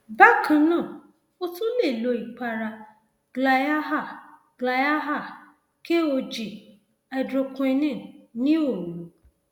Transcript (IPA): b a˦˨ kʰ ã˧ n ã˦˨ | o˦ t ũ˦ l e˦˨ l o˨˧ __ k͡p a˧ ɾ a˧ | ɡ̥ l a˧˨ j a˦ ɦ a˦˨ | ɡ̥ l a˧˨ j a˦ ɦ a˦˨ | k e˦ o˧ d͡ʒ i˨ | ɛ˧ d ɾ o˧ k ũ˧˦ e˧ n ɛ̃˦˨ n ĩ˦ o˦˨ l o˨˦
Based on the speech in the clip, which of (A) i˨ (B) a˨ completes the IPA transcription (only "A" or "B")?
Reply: A